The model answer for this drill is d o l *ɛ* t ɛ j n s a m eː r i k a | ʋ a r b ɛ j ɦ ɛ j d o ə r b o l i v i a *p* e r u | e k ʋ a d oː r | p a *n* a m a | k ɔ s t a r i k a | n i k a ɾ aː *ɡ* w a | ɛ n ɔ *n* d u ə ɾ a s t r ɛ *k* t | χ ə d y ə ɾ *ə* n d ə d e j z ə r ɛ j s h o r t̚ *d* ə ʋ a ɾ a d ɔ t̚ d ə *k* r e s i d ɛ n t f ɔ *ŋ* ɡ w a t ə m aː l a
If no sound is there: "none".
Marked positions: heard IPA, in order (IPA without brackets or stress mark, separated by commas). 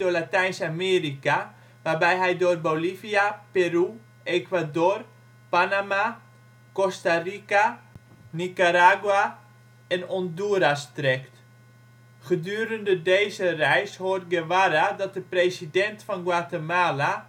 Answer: a, p, n, ɡ, n, k, ə, ɡ, p, n